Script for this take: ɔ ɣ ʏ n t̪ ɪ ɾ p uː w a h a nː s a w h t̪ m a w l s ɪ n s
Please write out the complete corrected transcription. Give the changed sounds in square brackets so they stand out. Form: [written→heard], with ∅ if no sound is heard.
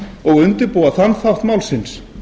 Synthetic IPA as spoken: ɔ ɣ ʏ n t̪ ɪ ɾ p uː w a [h→θ] a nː [s→θ] a w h t̪ m a w l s ɪ n s